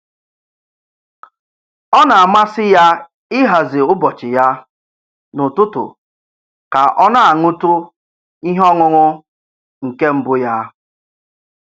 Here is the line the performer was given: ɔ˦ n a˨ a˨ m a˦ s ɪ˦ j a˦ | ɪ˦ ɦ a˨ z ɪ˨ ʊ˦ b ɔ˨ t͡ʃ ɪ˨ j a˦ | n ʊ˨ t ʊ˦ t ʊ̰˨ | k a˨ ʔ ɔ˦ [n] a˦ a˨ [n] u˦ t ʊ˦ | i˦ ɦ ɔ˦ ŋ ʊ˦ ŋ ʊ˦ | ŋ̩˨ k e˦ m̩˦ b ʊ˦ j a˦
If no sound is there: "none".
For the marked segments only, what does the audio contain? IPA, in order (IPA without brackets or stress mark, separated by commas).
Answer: n, ŋ